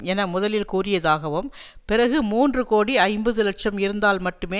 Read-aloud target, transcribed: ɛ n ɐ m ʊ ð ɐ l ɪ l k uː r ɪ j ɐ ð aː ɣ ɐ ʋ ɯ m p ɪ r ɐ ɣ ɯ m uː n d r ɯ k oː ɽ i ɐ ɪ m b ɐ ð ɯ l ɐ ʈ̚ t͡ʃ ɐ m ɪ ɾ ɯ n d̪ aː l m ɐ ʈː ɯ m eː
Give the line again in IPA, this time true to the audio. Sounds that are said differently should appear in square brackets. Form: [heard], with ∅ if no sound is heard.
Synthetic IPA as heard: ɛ n ɐ m ʊ ð ɐ l ɪ l k uː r ɪ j ɐ ð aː ɣ ɐ ʋ ɯ m p ɪ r ɐ ɣ ɯ m uː n d r ɯ k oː ɽ i ɐ ɪ m b ɐ ð ɯ l ɐ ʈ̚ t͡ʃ ɐ m ɪ ɾ ɯ n d̪ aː l m ɐ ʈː ɯ m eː

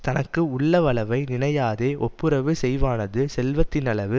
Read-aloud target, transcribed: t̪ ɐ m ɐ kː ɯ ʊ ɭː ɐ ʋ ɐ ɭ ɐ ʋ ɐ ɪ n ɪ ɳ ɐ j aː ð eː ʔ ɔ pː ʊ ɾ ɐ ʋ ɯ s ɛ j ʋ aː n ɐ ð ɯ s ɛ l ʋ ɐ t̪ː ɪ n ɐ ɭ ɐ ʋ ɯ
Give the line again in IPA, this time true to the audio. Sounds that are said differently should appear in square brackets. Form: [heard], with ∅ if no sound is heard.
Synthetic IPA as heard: t̪ ɐ [n] ɐ kː ɯ ʊ ɭː ɐ ʋ ɐ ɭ ɐ ʋ ɐ ɪ n ɪ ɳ ɐ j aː ð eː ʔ ɔ pː [ɯ] ɾ ɐ ʋ ɯ s ɛ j ʋ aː n ɐ ð ɯ s ɛ l ʋ ɐ t̪ː ɪ n ɐ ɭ ɐ ʋ ɯ

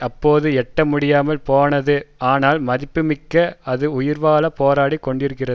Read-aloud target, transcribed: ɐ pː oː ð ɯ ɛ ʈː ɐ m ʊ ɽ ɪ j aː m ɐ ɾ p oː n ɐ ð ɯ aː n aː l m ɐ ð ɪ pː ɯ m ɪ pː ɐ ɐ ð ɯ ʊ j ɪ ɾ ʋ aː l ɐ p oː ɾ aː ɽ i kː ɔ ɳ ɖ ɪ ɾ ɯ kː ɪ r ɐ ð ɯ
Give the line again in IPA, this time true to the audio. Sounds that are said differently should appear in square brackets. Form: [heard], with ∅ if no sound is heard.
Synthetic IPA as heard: ɐ pː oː ð ɯ ɛ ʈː ɐ m ʊ ɽ ɪ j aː m ɐ [l] p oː n ɐ ð ɯ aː n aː l m ɐ ð ɪ pː ɯ m ɪ [kː] ɐ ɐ ð ɯ ʊ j ɪ ɾ ʋ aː l ɐ p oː ɾ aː ɽ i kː ɔ ɳ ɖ ɪ ɾ ɯ kː ɪ r ɐ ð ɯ

